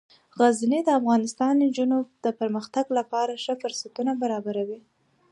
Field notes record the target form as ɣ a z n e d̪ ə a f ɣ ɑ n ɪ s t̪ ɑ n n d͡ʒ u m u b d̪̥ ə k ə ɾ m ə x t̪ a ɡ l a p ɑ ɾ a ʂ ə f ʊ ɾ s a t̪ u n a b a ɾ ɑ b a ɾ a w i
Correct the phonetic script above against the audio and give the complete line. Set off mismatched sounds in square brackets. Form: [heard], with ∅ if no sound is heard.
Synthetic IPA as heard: ɣ a z n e d̪ ə a f ɣ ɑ n ɪ s t̪ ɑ n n d͡ʒ u [n] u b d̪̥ ə [p] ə ɾ m ə x t̪ a ɡ l a p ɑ ɾ a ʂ ə f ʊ ɾ s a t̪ u n a b a ɾ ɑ b a ɾ a w i